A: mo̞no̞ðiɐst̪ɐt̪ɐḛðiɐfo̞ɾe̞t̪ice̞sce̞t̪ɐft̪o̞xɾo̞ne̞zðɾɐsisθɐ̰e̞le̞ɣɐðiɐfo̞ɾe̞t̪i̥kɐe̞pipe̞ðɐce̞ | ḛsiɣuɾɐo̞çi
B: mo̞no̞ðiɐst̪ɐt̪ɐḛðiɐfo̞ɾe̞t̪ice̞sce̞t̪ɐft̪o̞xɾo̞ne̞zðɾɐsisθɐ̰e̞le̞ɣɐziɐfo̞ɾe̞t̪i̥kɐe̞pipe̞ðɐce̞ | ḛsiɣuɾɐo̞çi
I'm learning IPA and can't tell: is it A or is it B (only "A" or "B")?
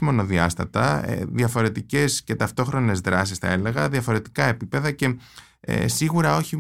A